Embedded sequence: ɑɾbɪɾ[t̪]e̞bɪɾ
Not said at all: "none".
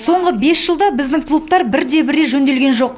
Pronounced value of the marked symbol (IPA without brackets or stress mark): d̪